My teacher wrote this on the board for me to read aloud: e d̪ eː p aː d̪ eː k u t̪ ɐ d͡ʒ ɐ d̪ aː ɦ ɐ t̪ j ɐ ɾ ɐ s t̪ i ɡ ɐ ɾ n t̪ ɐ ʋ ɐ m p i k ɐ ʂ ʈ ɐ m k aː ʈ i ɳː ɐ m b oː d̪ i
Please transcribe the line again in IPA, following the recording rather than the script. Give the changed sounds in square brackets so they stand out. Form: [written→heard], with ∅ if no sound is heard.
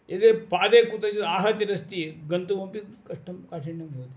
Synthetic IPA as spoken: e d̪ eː p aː d̪ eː k u t̪ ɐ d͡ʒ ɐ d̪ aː ɦ ɐ t̪ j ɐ ɾ ɐ s t̪ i ɡ ɐ [ɾ→∅] n t̪ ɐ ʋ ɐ m p i k ɐ ʂ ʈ ɐ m k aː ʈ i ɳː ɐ m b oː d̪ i